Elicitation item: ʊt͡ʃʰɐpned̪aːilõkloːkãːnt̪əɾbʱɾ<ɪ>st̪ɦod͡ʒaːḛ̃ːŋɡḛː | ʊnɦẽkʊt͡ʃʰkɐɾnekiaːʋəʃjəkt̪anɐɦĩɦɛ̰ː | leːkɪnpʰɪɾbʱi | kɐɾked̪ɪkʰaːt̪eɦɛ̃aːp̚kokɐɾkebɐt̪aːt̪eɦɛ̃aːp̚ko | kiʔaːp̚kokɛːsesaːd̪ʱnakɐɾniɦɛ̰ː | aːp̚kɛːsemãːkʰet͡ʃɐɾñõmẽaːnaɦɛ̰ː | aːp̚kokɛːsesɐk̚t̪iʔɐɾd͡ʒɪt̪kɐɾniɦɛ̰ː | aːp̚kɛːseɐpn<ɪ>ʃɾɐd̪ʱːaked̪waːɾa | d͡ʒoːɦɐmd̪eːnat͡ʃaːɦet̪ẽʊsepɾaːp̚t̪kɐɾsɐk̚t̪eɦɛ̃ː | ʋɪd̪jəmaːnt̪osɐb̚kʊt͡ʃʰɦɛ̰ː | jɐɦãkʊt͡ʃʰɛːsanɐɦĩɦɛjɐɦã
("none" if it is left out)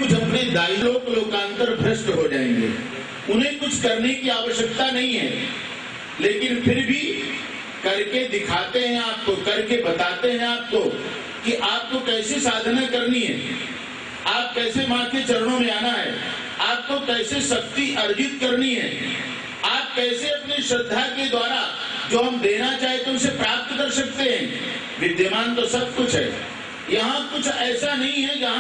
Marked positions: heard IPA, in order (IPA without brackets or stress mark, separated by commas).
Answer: ɪ, i